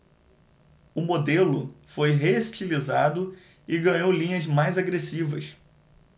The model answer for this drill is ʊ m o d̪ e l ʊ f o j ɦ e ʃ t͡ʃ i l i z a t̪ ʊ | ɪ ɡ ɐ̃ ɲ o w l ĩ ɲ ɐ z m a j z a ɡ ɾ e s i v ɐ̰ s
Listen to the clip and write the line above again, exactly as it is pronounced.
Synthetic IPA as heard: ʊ m o d̪ e l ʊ f o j ɦ e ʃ t͡ʃ i l i z a d̪ ʊ | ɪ ɡ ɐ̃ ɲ o w l ĩ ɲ ɐ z m a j z a ɡ ɾ e s i v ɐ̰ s